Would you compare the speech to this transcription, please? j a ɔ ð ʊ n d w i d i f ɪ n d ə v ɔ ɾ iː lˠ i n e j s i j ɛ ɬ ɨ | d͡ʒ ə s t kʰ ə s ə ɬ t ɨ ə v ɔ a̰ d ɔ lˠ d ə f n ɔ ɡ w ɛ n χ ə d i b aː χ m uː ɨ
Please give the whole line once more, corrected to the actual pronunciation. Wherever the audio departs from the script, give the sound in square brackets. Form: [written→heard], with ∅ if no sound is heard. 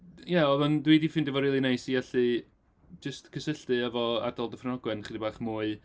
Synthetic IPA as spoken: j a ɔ ð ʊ n d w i d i f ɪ n d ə v ɔ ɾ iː lˠ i n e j s i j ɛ ɬ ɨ | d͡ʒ ə s t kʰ ə s ə ɬ t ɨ ə v ɔ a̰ d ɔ lˠ d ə f n ɔ ɡ w ɛ n χ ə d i b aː χ m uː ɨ